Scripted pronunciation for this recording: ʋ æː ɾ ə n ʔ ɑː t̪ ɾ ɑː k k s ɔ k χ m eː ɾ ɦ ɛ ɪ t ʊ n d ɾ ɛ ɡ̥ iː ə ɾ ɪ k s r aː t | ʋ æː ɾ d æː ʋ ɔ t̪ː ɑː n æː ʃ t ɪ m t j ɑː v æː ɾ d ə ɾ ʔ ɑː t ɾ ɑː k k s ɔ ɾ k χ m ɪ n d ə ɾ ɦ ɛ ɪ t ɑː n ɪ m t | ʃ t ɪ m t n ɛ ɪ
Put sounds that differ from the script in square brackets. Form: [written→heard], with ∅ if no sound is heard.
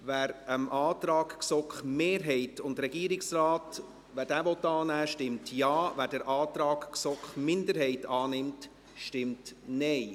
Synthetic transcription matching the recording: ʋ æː ɾ ə [n→m] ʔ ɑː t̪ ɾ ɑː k k s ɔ k χ m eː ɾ ɦ ɛ ɪ t ʊ n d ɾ ɛ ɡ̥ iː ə ɾ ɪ k s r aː t | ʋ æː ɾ d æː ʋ ɔ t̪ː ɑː n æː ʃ t ɪ m t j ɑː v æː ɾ d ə ɾ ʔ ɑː t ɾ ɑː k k s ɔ [ɾ→∅] k χ m ɪ n d ə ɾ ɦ ɛ ɪ t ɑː n ɪ m t | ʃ t ɪ m t n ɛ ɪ